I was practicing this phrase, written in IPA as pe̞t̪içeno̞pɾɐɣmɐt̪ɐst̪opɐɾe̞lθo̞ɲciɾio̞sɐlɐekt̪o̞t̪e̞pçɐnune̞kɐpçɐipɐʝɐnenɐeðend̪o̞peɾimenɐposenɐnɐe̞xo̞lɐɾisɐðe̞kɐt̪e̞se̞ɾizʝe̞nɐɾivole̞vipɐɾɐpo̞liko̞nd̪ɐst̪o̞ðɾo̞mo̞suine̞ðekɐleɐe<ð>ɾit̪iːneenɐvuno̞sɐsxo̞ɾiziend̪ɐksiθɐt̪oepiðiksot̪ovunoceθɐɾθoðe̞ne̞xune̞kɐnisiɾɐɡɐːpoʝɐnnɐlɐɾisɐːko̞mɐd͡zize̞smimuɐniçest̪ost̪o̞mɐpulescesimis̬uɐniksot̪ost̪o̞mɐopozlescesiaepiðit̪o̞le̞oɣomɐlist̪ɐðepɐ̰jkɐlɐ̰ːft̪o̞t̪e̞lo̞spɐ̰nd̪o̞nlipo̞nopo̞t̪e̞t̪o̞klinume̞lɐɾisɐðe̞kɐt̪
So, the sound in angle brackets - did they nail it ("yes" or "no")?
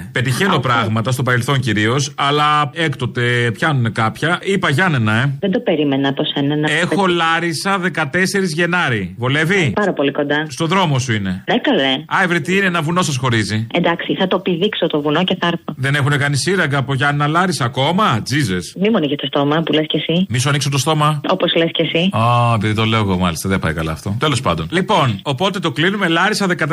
no